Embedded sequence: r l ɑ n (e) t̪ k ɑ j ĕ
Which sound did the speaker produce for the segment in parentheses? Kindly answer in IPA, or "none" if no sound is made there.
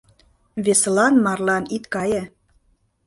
i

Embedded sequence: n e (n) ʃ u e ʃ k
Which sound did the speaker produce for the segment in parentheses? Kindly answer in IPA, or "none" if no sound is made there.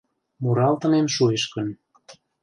m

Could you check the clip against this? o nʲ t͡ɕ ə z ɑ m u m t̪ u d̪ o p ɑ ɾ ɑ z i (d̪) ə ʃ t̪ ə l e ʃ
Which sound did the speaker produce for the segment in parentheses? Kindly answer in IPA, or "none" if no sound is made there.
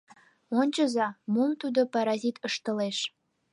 t̪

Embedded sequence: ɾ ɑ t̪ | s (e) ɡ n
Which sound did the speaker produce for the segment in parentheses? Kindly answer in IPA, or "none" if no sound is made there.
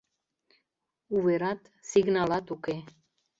i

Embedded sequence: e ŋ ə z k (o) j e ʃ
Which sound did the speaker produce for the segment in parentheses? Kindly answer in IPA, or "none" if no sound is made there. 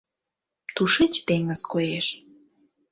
o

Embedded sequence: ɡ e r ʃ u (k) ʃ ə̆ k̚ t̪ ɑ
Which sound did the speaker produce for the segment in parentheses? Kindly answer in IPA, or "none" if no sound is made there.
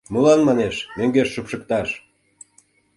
p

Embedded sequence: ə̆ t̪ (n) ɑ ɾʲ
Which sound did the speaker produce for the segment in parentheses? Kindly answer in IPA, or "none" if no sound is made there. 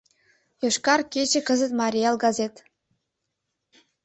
m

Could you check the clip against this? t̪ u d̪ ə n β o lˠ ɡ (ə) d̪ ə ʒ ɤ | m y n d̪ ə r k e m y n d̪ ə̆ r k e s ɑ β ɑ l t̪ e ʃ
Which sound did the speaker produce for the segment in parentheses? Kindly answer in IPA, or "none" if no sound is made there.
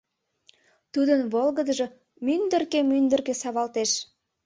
ə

